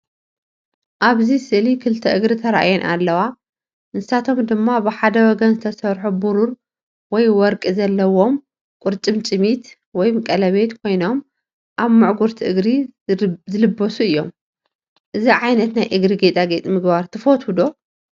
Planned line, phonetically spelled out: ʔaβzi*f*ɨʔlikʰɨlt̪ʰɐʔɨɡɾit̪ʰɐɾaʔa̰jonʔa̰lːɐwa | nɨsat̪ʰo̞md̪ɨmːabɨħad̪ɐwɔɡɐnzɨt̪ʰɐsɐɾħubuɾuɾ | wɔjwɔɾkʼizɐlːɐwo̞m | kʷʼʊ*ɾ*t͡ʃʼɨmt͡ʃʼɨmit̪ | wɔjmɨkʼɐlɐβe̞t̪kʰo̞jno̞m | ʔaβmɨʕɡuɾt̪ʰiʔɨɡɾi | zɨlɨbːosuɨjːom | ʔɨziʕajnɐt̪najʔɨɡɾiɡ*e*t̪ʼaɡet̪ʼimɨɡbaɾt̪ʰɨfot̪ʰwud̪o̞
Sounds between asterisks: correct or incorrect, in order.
incorrect: s, correct, correct

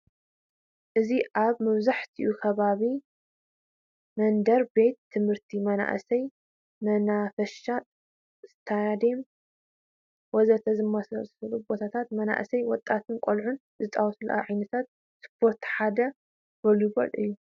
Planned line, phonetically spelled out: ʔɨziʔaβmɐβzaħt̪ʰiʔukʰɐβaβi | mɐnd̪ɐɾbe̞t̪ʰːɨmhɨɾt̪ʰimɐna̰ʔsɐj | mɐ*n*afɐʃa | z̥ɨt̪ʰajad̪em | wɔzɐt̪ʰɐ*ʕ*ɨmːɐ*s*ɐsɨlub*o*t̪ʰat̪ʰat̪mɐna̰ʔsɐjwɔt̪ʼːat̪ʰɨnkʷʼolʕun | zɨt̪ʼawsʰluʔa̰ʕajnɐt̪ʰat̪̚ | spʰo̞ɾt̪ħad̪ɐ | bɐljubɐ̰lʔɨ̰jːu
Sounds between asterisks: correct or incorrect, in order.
correct, incorrect: z, correct, correct

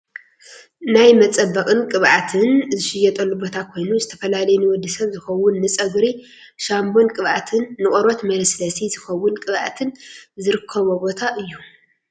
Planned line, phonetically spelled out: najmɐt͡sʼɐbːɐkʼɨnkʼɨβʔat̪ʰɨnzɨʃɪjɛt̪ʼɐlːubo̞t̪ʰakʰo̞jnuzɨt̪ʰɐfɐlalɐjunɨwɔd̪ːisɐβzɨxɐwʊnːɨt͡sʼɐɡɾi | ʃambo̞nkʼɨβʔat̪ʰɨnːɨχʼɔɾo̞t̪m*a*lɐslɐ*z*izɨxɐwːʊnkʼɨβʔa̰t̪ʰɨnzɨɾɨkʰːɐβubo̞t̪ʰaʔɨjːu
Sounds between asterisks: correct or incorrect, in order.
incorrect: ɐ, incorrect: s

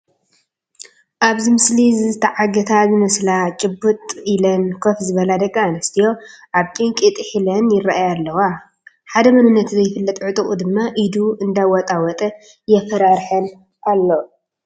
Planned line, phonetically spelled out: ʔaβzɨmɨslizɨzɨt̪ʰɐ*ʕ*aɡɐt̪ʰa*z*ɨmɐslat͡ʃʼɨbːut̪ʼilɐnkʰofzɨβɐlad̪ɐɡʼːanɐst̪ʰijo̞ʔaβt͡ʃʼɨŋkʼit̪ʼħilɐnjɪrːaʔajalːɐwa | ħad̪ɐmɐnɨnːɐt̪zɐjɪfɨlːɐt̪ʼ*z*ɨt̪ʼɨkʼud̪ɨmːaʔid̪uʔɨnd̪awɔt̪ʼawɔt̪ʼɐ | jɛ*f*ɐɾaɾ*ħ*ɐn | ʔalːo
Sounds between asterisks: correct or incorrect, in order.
correct, correct, incorrect: ʕ, correct, correct

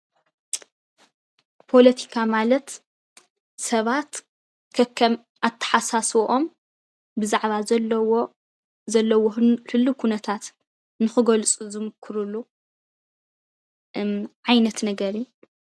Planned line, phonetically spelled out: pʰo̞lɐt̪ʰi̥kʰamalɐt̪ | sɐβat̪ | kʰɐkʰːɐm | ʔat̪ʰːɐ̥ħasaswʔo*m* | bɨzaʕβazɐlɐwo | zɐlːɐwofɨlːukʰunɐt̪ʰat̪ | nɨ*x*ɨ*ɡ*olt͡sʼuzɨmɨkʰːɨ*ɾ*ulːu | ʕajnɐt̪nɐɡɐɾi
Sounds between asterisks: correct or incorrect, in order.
correct, correct, correct, correct

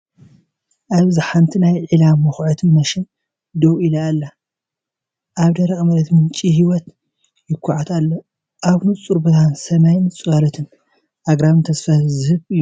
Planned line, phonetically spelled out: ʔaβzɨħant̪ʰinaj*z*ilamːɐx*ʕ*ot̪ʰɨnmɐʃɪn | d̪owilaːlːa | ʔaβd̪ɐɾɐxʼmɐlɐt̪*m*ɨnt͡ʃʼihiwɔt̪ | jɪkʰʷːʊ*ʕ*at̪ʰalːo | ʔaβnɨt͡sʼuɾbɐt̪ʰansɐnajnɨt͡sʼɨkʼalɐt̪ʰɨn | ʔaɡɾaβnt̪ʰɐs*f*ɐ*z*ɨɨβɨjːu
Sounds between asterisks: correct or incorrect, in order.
incorrect: ʕ, correct, correct, correct, correct, correct

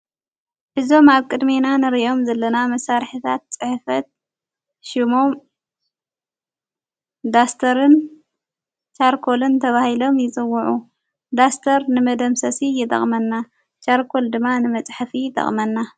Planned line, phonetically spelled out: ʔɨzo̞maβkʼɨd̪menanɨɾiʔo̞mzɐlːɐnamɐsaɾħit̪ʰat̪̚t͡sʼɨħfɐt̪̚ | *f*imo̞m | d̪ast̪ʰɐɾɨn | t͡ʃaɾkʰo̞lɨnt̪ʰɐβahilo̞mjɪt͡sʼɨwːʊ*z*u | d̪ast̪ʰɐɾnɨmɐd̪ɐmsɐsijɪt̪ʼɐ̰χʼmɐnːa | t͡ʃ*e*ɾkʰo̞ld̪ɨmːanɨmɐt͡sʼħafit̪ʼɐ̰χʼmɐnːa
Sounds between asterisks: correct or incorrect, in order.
incorrect: ʃ, incorrect: ʕ, incorrect: a

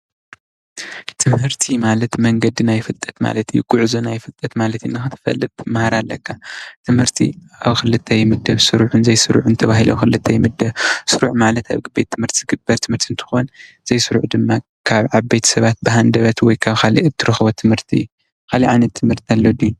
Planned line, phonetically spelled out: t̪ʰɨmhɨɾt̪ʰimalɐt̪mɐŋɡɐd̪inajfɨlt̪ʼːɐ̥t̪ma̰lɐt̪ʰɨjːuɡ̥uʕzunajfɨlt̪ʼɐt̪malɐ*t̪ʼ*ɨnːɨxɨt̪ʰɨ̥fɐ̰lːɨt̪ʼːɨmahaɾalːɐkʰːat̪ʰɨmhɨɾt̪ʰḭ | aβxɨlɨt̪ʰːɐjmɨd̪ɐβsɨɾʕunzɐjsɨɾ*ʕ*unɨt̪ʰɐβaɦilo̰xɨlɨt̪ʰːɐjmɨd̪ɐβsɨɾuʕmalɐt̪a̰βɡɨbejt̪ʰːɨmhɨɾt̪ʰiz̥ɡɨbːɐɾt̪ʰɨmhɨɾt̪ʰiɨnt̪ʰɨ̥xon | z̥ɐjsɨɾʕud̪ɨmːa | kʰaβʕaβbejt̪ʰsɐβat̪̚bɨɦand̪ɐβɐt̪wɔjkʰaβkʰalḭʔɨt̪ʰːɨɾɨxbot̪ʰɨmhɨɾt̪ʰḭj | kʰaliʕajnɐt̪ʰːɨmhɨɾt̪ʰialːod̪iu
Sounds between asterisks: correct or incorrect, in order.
incorrect: t̪, correct

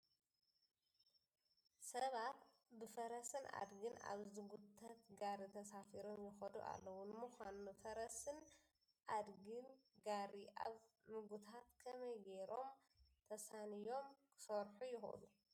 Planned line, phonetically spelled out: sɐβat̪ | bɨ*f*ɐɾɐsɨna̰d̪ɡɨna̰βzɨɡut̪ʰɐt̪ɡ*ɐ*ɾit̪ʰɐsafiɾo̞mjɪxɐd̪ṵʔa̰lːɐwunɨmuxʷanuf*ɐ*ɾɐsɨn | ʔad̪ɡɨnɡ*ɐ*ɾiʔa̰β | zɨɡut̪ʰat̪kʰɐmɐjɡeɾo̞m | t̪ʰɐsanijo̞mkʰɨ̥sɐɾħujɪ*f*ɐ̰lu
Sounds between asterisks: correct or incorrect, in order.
correct, incorrect: a, correct, incorrect: a, incorrect: x

